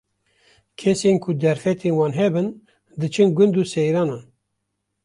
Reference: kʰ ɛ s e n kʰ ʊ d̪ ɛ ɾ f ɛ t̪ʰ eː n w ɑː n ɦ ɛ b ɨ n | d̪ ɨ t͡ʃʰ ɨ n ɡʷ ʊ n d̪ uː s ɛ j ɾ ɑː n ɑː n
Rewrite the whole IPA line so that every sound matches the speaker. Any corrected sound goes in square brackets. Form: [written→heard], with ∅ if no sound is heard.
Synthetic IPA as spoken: kʰ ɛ s e n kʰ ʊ d̪ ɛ ɾ f ɛ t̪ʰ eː n w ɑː n ɦ ɛ b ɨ n | d̪ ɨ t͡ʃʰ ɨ n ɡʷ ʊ n d̪ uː s ɛ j ɾ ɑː n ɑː n

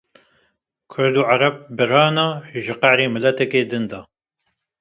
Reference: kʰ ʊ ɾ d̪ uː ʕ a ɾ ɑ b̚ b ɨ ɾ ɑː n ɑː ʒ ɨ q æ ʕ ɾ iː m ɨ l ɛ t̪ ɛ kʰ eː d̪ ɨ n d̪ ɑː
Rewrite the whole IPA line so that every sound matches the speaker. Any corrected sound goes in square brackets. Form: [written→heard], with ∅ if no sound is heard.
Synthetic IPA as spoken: kʰ ʊ ɾ d̪ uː ʕ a ɾ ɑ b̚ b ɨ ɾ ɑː n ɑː ʒ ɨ q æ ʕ ɾ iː m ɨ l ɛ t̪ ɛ [kʰ→k] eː d̪ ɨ n d̪ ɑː

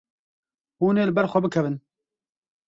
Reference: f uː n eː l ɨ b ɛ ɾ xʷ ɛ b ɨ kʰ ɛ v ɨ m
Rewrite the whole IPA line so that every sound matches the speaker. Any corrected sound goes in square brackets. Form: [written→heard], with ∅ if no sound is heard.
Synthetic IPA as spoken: [f→h] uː n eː l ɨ b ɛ ɾ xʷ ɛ b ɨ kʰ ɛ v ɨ [m→n]

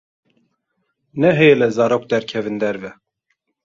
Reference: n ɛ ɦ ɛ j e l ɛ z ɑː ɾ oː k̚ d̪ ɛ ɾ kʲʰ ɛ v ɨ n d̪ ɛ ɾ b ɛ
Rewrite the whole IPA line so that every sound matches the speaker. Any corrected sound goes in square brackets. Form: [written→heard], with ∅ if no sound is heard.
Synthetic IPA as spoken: n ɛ ɦ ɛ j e l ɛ z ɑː ɾ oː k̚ d̪ ɛ ɾ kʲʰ ɛ v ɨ n d̪ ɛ ɾ [b→v] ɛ

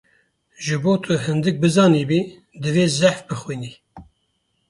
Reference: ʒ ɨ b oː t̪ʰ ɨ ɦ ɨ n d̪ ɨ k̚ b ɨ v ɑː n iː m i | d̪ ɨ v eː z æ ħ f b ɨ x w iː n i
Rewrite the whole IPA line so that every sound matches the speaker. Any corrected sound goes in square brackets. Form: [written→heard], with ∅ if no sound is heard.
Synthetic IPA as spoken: ʒ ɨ b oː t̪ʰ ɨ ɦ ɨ n d̪ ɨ k̚ b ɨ [v→z] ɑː n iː [m→b] i | d̪ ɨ v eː z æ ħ f b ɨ x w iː n i

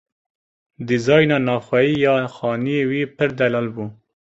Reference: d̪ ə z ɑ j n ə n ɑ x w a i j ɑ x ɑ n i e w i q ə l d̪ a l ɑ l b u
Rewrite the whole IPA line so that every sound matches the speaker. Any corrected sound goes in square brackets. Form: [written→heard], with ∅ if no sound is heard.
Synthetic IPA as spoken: d̪ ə z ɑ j n [ə→a] n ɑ x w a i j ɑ x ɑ n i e w i [q→p] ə [l→ɾ] d̪ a l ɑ l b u

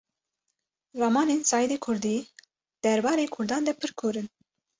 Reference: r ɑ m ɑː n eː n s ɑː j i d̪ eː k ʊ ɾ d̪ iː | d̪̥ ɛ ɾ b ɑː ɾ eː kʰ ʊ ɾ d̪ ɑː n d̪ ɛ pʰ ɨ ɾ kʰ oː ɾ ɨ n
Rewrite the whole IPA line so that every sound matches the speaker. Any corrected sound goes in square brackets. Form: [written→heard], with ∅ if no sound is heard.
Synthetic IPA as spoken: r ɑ m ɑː n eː n s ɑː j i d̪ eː [k→kʰ] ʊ ɾ d̪ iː | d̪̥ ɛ ɾ b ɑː ɾ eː kʰ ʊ ɾ d̪ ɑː n d̪ ɛ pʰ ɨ ɾ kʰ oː ɾ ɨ n

